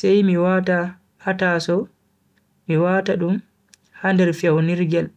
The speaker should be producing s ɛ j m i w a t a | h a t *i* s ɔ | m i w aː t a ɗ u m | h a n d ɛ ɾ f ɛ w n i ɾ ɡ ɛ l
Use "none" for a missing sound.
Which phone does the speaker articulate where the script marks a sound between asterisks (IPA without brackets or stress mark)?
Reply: a